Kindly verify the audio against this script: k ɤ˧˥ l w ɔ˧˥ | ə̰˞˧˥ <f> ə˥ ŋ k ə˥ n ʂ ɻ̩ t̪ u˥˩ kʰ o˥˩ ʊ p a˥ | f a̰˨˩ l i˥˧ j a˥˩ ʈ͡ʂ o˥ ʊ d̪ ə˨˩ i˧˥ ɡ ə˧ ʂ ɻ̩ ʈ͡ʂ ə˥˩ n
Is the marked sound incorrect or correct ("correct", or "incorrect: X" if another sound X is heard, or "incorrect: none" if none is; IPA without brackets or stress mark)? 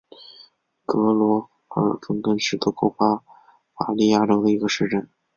correct